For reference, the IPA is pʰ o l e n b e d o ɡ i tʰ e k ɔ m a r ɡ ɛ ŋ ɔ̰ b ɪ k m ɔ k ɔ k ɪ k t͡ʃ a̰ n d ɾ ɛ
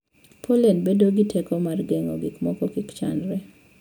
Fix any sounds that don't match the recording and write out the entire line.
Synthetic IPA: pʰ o l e n b e d o ɡ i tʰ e k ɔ m a r ɡ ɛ ŋ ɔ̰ ɡ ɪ k m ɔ k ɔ k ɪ k t͡ʃ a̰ n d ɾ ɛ